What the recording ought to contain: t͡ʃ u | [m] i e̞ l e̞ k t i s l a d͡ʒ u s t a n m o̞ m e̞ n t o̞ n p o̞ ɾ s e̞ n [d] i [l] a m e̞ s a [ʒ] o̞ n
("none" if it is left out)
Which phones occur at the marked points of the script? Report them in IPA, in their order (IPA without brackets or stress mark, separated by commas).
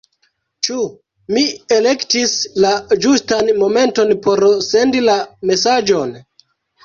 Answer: m, d, l, d͡ʒ